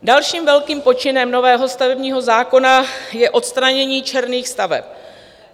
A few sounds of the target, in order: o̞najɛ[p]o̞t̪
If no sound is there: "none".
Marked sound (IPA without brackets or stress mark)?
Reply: ʔ